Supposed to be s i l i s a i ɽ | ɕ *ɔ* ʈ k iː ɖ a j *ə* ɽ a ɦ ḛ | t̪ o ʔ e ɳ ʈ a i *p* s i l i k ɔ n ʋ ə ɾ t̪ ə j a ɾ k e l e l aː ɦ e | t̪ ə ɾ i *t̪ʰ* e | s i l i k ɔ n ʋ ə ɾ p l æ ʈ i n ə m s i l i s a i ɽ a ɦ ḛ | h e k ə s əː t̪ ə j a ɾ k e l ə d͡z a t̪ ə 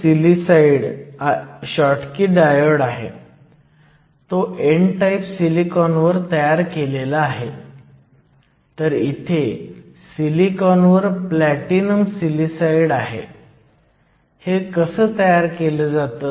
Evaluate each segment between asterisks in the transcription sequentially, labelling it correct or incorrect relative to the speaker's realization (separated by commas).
correct, correct, correct, correct